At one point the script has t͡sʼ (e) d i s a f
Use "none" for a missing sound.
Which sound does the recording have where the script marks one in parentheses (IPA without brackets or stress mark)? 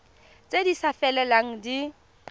e